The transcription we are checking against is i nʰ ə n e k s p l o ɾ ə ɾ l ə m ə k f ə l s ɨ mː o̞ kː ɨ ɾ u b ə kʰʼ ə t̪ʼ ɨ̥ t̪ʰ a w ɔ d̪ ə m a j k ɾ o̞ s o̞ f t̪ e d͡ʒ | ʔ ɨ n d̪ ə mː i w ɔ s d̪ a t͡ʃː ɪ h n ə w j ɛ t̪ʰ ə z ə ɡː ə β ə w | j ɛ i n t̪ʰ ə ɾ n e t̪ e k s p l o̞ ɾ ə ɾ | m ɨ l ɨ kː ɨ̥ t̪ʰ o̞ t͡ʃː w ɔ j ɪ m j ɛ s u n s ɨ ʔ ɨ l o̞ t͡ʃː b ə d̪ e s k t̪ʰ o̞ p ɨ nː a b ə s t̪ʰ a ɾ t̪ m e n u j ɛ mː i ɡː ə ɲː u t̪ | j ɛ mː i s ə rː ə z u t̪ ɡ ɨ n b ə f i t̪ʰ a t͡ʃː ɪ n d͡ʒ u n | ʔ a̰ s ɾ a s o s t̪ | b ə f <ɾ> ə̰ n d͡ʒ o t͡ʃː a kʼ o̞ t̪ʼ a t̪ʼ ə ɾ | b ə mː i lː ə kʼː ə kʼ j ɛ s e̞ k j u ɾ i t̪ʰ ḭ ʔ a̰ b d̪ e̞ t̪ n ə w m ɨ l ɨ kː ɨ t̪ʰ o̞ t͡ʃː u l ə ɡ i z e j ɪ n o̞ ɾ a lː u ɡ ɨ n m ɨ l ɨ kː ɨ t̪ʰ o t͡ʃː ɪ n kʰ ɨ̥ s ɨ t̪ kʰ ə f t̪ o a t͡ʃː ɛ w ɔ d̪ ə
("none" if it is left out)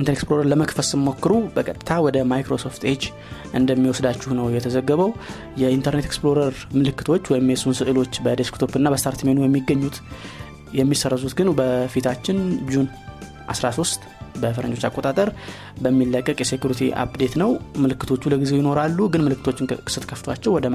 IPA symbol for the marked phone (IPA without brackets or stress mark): ɾ